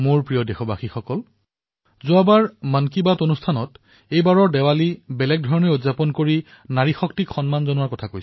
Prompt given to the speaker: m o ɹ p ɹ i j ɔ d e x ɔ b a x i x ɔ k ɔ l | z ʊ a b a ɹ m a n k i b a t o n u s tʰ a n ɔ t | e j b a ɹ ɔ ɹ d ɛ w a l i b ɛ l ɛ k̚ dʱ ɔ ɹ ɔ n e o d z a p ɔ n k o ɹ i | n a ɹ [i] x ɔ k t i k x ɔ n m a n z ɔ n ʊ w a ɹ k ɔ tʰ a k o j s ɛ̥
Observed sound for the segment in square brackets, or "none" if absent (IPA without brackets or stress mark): i